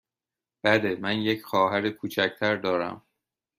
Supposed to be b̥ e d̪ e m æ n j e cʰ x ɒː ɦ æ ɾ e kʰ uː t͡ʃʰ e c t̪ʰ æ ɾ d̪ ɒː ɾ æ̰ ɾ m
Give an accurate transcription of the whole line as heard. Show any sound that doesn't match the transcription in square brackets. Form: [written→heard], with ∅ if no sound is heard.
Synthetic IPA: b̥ [e→æ] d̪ e m æ n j e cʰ x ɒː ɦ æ ɾ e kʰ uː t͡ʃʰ [e→æ] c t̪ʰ æ ɾ d̪ ɒː ɾ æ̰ [ɾ→∅] m